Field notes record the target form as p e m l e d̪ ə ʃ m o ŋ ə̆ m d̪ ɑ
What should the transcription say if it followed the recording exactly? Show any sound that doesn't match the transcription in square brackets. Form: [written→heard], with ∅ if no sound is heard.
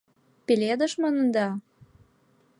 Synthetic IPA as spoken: p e [m→∅] l e d̪ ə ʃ m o [ŋ→n] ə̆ [m→n] d̪ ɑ